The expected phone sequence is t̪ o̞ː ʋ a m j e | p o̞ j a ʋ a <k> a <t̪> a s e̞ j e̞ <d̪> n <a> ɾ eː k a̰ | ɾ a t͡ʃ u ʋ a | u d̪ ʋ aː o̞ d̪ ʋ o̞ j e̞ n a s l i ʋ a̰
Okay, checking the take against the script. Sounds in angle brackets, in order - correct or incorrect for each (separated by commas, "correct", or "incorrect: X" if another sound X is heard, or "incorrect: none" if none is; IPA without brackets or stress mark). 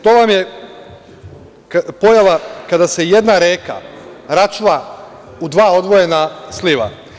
correct, incorrect: d̪, correct, correct